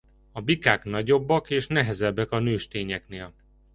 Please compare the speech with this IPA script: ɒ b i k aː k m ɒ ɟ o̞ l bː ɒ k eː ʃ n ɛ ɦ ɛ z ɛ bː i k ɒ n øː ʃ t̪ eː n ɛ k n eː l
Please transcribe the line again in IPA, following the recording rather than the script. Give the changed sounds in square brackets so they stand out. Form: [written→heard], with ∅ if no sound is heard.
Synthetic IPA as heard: ɒ b i k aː k [m→n] ɒ ɟ o̞ [l→∅] bː ɒ k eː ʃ n ɛ ɦ ɛ z ɛ bː [i→ɛ] k ɒ n øː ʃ t̪ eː [n→ɲ] ɛ k n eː l